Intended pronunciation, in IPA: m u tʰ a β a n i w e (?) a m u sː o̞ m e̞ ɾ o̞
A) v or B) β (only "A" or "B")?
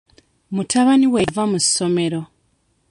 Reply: A